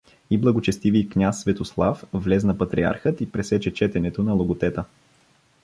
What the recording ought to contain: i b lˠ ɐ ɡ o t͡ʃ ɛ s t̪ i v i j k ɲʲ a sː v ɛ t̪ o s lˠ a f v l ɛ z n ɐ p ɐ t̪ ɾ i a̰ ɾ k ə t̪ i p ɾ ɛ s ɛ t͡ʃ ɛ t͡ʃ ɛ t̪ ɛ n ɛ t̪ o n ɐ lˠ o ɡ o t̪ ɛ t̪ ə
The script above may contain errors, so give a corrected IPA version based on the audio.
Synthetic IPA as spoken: i b lˠ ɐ ɡ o t͡ʃ ɛ s t̪ i v i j k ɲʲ a sː v ɛ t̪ o s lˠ a f v l ɛ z n ɐ p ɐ t̪ ɾ i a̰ ɾ x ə t̪ i p ɾ ɛ s ɛ t͡ʃ ɛ t͡ʃ ɛ t̪ ɛ n ɛ t̪ o n ɐ lˠ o ɡ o t̪ ɛ t̪ ə